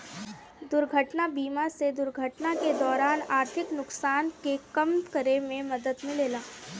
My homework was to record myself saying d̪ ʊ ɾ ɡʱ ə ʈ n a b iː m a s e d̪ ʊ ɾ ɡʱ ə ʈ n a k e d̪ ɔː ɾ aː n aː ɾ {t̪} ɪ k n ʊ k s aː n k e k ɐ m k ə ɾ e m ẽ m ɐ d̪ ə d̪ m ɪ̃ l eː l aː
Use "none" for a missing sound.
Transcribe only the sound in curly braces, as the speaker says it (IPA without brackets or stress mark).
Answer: t̪ʰ